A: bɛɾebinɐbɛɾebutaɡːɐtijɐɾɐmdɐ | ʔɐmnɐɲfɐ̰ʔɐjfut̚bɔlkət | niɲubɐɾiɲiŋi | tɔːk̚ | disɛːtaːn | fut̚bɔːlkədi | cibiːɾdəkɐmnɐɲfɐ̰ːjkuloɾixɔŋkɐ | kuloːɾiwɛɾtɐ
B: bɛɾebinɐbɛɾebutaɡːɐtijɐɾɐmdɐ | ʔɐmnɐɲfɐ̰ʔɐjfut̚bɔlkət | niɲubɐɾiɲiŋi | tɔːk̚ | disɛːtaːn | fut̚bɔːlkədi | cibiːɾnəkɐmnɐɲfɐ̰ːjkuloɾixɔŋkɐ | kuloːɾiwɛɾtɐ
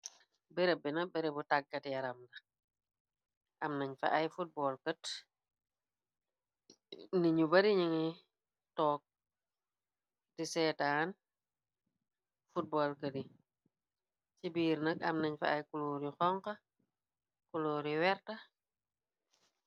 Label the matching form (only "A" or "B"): B